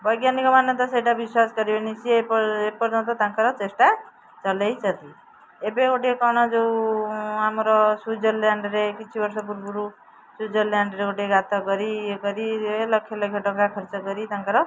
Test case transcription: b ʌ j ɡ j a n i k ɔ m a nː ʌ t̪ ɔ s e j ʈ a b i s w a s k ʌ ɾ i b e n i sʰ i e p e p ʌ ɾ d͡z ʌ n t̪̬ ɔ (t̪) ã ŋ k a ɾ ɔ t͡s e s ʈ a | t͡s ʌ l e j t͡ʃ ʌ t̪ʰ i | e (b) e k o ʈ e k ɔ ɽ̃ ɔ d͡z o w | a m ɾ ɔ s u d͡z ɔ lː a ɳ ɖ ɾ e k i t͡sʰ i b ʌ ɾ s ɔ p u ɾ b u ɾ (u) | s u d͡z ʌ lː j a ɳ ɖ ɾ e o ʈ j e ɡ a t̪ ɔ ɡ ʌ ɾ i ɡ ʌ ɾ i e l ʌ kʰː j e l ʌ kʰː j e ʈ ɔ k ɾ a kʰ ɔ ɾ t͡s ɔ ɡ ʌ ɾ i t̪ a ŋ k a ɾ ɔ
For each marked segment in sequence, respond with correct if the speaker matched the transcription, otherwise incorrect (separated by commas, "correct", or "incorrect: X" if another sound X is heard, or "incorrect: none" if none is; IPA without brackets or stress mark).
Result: correct, correct, correct